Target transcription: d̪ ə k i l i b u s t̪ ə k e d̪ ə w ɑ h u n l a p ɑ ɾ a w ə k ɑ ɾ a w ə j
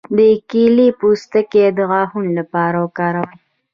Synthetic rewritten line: d̪ ə k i l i p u s t̪ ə k e d̪ ə ɣ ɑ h u n l a p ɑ ɾ a w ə k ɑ ɾ a w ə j